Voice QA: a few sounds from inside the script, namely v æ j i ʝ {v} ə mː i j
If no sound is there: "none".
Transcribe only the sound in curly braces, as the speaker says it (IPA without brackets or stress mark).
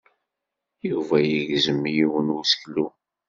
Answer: z